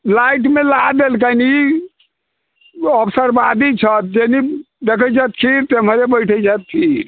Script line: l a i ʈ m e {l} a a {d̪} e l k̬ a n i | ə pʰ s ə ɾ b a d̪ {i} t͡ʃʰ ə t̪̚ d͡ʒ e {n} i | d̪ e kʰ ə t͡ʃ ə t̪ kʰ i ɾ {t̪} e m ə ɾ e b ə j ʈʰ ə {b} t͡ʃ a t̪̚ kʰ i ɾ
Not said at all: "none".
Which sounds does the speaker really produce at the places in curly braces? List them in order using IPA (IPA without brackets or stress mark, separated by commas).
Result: l, d̪, i, n, t̪, none